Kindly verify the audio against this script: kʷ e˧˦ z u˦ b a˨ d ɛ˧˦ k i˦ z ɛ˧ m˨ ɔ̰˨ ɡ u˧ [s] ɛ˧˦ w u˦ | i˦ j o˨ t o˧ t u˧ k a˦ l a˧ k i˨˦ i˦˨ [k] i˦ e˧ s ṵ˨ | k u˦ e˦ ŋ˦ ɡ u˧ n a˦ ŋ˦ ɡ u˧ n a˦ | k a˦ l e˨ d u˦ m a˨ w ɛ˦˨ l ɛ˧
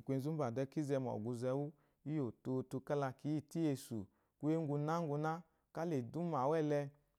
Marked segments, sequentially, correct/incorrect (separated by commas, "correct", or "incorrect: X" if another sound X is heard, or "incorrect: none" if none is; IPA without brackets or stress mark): incorrect: z, incorrect: t